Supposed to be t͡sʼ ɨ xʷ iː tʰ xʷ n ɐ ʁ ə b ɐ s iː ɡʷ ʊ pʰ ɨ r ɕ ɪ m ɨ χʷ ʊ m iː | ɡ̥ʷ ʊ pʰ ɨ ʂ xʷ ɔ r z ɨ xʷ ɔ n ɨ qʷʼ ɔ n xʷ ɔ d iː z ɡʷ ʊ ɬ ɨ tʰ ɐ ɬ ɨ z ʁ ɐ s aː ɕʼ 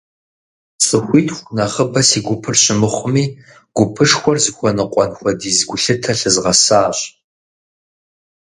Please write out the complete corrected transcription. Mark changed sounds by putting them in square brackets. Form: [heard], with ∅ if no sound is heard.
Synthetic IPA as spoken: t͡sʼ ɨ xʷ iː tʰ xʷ n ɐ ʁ ə b ɐ s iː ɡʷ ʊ pʰ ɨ r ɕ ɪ m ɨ χʷ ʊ m iː | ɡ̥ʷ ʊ pʰ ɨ ʂ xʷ ɔ r z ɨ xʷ ɔ n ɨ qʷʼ ɔ n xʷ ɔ d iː z ɡʷ ʊ ɬ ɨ tʰ ɐ ɬ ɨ z ʁ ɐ s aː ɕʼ